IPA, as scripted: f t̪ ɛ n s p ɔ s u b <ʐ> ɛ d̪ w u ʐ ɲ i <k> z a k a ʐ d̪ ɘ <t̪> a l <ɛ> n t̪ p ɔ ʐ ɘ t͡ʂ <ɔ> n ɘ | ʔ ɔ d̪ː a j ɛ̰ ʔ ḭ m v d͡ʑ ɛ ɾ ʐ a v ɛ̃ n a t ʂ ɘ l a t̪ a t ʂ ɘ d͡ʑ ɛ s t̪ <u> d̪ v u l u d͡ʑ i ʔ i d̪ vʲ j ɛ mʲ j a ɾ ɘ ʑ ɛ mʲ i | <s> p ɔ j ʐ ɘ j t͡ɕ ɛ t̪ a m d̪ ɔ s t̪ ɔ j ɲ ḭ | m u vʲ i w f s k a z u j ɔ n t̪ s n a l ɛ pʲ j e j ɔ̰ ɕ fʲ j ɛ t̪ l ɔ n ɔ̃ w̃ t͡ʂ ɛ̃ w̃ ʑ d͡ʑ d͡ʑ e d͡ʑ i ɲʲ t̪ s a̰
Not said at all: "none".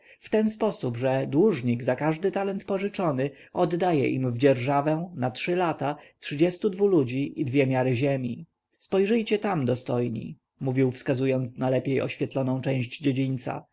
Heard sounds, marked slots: ʐ, ɡ, t̪, ɛ, ɔ, u, s

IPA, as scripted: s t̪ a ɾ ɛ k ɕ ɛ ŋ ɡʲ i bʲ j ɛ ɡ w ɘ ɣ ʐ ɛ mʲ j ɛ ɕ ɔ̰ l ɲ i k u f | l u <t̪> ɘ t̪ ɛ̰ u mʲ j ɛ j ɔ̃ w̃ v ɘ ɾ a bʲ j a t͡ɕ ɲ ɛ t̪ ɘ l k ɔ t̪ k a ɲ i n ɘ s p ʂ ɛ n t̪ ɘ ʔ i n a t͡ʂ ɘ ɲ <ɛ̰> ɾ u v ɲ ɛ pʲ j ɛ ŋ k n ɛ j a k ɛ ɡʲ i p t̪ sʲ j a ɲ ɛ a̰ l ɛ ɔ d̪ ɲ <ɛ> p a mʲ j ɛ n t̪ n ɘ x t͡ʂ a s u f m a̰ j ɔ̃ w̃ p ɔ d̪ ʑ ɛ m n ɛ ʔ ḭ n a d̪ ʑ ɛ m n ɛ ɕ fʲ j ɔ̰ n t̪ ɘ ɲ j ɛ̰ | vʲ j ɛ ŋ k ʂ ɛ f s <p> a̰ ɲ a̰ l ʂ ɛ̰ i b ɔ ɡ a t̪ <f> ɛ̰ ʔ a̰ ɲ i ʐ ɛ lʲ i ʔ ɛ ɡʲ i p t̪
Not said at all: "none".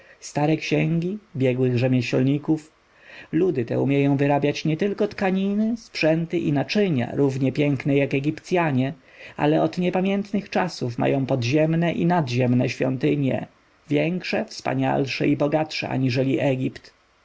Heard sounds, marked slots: d̪, a̰, ɛ, p, ʂ

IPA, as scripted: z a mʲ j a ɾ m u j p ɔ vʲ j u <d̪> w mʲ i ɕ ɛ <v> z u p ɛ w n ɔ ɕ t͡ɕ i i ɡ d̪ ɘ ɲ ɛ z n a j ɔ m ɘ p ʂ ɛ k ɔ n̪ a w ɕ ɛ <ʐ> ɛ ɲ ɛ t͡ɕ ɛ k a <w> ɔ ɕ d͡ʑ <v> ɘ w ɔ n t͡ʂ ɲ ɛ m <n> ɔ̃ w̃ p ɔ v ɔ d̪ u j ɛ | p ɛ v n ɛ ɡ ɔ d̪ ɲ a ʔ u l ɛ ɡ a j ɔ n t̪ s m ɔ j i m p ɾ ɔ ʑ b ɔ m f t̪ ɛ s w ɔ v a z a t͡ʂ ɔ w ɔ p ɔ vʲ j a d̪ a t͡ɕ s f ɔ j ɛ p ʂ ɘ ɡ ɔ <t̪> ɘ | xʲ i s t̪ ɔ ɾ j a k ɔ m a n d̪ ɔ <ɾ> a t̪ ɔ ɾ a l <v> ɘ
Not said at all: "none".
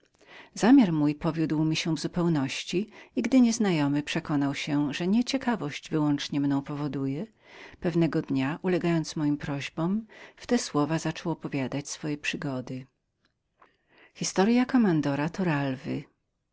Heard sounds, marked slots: d̪, v, ʐ, v, v, n, d̪, ɾ, v

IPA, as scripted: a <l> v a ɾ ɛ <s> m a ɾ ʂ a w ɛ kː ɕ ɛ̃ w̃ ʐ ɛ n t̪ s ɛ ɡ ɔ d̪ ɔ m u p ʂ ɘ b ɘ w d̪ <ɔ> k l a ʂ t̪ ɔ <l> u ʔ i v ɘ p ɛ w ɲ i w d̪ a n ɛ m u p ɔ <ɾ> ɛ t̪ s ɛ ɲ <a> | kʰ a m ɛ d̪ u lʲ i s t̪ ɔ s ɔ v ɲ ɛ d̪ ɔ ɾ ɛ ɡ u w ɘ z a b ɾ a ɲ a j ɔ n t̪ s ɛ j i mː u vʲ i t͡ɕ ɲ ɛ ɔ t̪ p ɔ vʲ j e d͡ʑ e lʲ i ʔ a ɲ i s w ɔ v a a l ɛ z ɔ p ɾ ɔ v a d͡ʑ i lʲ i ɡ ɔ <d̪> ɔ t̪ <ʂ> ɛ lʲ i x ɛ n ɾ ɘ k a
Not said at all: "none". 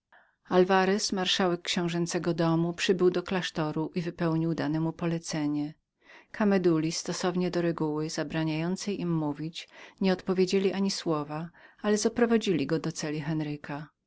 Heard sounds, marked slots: l, s, ɔ, ɾ, l, ɛ, d̪, s

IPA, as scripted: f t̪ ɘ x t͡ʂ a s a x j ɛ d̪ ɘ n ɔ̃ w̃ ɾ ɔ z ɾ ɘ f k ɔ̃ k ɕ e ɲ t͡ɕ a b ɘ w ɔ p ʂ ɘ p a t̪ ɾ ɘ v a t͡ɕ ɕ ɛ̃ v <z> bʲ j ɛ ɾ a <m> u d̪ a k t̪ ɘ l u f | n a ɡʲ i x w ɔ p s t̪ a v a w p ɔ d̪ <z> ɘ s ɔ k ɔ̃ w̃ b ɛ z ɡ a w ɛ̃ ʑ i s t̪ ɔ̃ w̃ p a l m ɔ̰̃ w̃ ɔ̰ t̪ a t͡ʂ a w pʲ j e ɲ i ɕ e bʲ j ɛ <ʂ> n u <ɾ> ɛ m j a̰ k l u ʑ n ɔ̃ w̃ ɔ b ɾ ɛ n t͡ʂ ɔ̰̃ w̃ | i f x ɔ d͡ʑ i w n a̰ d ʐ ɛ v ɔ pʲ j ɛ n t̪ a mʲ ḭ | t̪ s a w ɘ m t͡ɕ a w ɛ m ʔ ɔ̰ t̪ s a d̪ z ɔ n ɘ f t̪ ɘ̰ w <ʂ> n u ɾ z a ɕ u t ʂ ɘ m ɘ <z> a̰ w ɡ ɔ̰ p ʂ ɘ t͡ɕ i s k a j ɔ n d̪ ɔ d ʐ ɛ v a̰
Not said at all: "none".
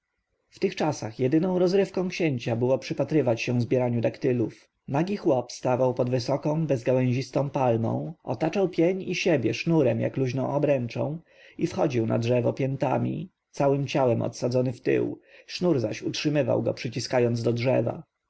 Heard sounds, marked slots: z, ɲ, v, ʂ, ɾ, ʂ, v

